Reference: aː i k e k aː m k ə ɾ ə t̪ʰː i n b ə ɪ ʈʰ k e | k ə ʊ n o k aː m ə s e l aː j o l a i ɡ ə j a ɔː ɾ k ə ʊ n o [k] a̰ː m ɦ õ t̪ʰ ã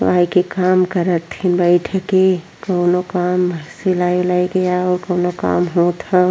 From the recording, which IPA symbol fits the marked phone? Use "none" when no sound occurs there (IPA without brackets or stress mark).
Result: k